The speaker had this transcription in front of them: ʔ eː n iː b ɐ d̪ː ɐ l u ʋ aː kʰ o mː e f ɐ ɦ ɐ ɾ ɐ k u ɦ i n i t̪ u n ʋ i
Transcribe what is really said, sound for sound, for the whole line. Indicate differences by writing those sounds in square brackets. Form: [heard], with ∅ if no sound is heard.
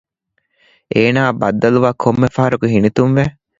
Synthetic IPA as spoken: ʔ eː n [aː] b ɐ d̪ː ɐ l u ʋ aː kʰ o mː e f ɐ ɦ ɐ ɾ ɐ k u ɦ i n i t̪ u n ʋ [e]

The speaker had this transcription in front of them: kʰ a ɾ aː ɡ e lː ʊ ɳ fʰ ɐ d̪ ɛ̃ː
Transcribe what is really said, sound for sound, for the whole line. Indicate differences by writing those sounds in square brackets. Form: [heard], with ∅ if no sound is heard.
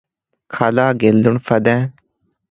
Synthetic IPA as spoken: kʰ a [l] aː ɡ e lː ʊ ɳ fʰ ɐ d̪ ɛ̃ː

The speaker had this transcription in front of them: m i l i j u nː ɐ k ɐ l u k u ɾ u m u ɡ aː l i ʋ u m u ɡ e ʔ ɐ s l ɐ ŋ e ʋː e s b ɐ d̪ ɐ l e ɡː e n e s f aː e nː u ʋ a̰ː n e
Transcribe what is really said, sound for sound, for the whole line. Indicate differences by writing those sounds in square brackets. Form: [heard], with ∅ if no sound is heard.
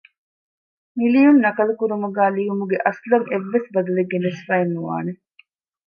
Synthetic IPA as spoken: m i l i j u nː ɐ k ɐ l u k u ɾ u m u ɡ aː l i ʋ u m u ɡ e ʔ ɐ s l ɐ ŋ e ʋː e s b ɐ d̪ ɐ l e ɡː e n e s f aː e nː u ʋ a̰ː n e

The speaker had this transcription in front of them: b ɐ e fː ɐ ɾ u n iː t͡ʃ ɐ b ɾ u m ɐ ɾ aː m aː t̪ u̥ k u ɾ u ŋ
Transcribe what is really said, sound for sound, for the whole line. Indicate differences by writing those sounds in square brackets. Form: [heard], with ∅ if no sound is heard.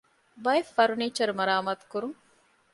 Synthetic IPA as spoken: b ɐ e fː ɐ ɾ u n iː t͡ʃ ɐ [∅] ɾ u m ɐ ɾ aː m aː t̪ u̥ k u ɾ u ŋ

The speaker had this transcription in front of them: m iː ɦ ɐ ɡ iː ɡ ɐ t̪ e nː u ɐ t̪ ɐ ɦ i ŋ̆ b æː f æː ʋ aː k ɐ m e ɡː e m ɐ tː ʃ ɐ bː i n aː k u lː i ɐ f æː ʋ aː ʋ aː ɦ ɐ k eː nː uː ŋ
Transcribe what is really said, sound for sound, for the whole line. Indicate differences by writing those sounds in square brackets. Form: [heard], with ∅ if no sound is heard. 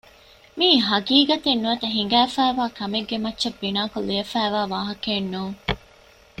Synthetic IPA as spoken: m iː ɦ ɐ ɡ iː ɡ ɐ t̪ e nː u ɐ t̪ ɐ ɦ i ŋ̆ [ɡ] æː f æː ʋ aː k ɐ m e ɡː e m ɐ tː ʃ ɐ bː i n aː k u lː i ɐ f æː ʋ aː ʋ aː ɦ ɐ k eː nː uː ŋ

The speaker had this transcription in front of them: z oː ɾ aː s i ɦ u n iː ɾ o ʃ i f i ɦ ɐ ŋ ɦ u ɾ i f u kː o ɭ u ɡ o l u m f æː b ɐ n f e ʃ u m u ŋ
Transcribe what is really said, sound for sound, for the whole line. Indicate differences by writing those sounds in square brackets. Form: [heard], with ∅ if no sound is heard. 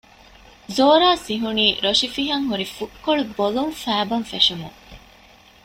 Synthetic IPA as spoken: z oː ɾ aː s i ɦ u n iː ɾ o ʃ i f i ɦ ɐ ŋ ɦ u ɾ i f u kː o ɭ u [b] o l u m f æː b ɐ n f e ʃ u m u ŋ

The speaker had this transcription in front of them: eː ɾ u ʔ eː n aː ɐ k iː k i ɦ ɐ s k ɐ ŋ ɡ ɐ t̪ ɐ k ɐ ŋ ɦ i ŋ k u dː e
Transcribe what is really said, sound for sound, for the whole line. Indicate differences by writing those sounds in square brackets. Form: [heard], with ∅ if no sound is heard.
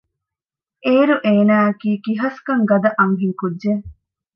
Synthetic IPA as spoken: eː ɾ u ʔ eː n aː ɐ k iː k i ɦ ɐ s k ɐ ŋ ɡ ɐ [d̪] ɐ [ʔ] ɐ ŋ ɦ i ŋ k u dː e

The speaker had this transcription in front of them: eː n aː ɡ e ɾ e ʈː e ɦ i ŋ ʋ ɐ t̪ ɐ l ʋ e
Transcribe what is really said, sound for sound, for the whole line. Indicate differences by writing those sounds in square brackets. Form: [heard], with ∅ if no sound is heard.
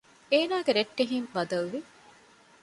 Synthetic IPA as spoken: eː n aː ɡ e ɾ e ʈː e ɦ i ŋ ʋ ɐ [d̪] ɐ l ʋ [i]

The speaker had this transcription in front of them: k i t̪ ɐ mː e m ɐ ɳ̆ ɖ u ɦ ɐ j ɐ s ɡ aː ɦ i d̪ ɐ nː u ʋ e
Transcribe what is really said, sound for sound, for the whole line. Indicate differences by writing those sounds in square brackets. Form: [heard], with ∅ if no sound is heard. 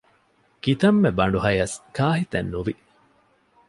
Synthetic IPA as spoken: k i t̪ ɐ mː e [b] ɐ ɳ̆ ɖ u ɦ ɐ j ɐ s [k] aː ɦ i [t̪] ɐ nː u ʋ [i]

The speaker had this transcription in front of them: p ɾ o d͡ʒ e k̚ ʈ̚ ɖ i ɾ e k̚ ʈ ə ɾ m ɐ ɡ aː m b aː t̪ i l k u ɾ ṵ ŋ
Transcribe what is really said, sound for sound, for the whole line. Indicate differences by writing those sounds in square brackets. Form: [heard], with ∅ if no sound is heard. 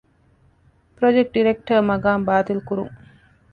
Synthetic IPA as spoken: p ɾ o d͡ʒ e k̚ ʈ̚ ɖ i ɾ e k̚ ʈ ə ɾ m ɐ ɡ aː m b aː t̪ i l k u ɾ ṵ ŋ

